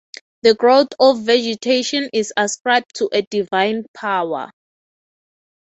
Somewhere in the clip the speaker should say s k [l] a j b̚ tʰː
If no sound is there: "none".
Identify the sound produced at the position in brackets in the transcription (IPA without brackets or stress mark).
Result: ɹ